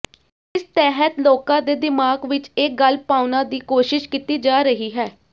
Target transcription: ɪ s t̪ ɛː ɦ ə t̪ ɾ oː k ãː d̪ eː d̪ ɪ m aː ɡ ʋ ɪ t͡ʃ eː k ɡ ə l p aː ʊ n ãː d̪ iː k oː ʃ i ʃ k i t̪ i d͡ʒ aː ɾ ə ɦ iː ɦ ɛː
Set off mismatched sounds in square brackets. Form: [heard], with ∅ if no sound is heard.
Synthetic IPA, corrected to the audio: ɪ s t̪ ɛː ɦ ə t̪ [l] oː k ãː d̪ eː d̪ ɪ m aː ɡ ʋ ɪ t͡ʃ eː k ɡ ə l p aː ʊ n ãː d̪ iː k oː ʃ [ɪ] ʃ k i t̪ [iː] d͡ʒ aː ɾ ə ɦ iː ɦ ɛː